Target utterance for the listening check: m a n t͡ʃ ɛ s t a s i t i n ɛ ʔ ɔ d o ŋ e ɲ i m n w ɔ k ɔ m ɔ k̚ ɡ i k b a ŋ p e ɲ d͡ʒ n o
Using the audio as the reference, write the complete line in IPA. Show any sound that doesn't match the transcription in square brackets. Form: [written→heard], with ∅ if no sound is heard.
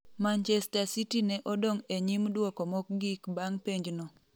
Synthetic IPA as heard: m a n t͡ʃ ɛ s t a s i t i n ɛ ʔ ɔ d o ŋ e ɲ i m [n→d] w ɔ k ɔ m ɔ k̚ ɡ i k b a ŋ p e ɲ d͡ʒ n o